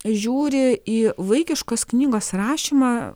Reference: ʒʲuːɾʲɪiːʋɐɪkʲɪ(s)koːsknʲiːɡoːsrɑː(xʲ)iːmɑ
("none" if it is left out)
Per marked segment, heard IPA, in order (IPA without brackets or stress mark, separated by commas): ʃ, ʃʲ